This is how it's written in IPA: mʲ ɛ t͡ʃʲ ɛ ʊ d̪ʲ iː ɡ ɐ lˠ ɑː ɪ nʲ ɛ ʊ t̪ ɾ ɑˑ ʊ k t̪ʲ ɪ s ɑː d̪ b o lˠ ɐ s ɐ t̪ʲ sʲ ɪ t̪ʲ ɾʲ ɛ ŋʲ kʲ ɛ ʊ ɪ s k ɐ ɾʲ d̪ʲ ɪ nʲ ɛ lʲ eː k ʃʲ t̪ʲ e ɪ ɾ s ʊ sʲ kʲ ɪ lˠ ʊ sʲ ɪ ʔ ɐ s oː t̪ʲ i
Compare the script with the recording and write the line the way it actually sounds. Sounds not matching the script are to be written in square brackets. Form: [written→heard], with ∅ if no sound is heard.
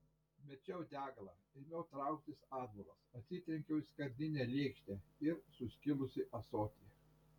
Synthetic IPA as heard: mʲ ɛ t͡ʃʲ ɛ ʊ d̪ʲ [iː→æː] ɡ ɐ lˠ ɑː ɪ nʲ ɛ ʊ t̪ ɾ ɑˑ ʊ k t̪ʲ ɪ s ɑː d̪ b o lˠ ɐ s ɐ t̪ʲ sʲ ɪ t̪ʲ ɾʲ ɛ ŋʲ kʲ ɛ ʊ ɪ s k ɐ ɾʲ d̪ʲ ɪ nʲ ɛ lʲ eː k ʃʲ t̪ʲ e ɪ ɾ s ʊ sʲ kʲ ɪ lˠ ʊ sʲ ɪ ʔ ɐ s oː t̪ʲ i